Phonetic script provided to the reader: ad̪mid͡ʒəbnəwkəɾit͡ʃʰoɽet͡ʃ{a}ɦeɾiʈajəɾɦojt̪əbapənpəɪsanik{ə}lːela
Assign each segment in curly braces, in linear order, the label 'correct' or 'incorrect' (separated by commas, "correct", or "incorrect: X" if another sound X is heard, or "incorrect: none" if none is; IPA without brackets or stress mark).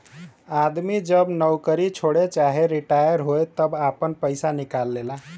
correct, incorrect: a